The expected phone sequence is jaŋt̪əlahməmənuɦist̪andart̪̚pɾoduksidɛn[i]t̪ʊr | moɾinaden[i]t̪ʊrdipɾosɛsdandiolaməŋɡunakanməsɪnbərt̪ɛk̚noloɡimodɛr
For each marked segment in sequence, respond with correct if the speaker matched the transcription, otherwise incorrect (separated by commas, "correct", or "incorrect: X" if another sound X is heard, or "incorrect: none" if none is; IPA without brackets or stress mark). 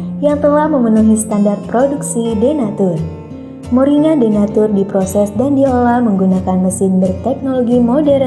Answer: incorrect: a, incorrect: a